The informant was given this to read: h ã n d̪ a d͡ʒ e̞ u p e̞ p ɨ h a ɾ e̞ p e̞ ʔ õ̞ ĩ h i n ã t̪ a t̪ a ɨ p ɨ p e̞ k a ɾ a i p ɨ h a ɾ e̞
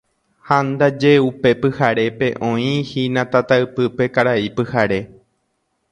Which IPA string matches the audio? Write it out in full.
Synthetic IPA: h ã n d̪ a d͡ʒ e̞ u p e̞ p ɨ h a ɾ e̞ p e̞ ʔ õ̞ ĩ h i n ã t̪ a t̪ a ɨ p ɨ p e̞ k a ɾ a i p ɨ h a ɾ e̞